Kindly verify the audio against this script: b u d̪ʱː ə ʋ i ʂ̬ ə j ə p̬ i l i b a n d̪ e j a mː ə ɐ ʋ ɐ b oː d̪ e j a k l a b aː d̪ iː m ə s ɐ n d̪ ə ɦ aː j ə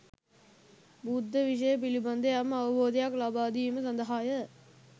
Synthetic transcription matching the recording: b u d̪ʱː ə ʋ i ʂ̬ ə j ə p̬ i l i b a n d̪ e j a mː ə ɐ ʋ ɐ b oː d̪ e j a k l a b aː d̪ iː m ə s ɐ n d̪ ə ɦ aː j ə

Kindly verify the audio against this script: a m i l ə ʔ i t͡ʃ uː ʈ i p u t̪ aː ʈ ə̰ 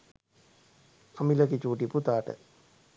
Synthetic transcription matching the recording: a m i l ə k i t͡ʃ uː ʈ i p u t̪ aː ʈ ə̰

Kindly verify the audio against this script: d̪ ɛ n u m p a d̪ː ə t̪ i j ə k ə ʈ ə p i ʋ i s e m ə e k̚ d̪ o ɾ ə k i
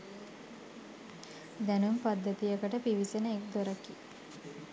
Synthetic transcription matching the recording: d̪ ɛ n u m p a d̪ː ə t̪ i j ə k ə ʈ ə p i ʋ i s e n ə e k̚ d̪ o ɾ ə k i

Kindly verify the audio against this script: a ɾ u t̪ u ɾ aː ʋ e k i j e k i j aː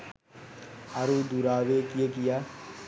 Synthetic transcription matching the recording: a ɾ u d̪ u ɾ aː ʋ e k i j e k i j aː

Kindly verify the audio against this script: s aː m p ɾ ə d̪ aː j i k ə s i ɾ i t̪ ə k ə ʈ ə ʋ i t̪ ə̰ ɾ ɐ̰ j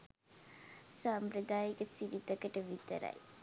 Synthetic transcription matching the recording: s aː m p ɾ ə d̪ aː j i k ə s i ɾ i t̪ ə k ə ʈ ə ʋ i t̪ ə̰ ɾ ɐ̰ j

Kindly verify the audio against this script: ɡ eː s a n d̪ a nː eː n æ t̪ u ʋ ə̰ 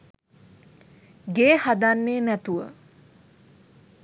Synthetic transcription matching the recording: ɡ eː h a d̪ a nː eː n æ t̪ u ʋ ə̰

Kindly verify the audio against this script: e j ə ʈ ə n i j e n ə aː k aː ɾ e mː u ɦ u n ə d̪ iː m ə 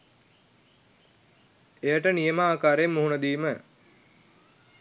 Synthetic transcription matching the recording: e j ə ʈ ə n i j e m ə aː k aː ɾ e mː u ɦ u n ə d̪ iː m ə

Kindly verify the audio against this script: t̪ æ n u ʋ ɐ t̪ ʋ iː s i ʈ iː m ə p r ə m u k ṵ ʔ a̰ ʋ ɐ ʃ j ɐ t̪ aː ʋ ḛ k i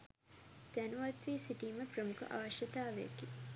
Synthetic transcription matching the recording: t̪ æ n u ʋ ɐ t̪ ʋ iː s i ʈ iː m ə p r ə m u k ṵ ʔ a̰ ʋ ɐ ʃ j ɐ t̪ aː ʋ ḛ k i

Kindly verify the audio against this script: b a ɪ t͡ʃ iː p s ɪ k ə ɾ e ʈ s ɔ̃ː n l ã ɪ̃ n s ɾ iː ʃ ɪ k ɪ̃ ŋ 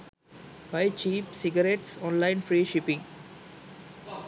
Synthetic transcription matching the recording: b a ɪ t͡ʃ iː p s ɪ ɡ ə ɾ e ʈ s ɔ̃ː n l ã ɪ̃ n f ɾ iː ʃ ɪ p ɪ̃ ŋ

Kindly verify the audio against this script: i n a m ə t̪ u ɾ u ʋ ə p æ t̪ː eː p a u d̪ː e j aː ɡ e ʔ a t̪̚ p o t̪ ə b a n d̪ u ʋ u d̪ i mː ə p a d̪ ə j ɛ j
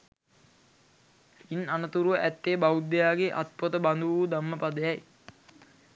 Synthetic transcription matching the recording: i n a n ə t̪ u ɾ u ʋ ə ʔ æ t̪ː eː b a u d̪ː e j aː ɡ e ʔ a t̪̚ p o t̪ ə b a n d̪ u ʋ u d̪ a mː ə p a d̪ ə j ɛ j

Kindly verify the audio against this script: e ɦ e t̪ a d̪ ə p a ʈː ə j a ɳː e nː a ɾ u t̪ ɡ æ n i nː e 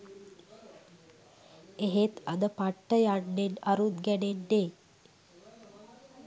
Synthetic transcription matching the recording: e ɦ e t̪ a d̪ ə p a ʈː ə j a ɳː e n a ɾ u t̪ ɡ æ n e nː e

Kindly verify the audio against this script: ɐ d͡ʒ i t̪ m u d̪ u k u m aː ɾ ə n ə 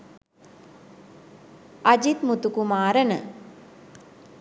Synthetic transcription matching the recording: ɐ d͡ʒ i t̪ m u t̪ u k u m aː ɾ ə n ə

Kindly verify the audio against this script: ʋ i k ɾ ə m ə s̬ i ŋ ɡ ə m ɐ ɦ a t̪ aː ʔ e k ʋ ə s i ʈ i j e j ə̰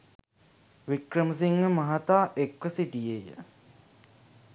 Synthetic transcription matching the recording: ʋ i k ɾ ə m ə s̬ i ŋ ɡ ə m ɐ ɦ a t̪ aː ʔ e k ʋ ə s i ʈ i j e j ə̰

